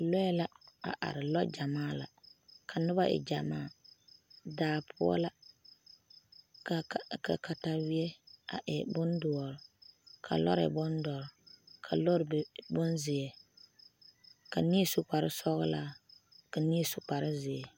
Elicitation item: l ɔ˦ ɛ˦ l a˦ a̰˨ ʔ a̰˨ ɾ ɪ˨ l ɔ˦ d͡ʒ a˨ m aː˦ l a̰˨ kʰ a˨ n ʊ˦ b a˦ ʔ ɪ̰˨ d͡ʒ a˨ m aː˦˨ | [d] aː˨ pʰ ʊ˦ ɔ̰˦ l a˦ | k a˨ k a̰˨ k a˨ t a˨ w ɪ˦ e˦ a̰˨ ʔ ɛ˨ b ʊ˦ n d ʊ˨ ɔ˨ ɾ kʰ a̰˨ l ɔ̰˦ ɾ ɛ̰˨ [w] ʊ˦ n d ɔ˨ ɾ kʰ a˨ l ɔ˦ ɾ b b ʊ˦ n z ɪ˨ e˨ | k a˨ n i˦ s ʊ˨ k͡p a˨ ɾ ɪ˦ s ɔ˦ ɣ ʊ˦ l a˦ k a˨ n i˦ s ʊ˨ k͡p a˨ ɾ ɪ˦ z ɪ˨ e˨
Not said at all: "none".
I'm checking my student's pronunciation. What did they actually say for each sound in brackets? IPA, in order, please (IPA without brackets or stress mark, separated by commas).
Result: d, b